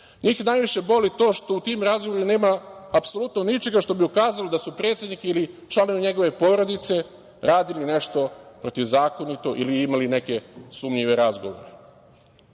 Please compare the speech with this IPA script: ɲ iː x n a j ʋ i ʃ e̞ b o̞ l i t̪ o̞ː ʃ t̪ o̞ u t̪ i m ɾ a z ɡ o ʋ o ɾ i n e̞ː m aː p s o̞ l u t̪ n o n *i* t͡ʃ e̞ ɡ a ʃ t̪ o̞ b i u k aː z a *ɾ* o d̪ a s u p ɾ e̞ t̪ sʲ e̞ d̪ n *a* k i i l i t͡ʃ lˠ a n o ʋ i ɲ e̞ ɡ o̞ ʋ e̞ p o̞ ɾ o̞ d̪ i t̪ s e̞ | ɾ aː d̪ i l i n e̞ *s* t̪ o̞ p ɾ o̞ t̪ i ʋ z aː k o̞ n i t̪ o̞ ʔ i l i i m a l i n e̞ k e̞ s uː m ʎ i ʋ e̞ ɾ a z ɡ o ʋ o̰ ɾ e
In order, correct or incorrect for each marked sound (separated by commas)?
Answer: correct, incorrect, incorrect, incorrect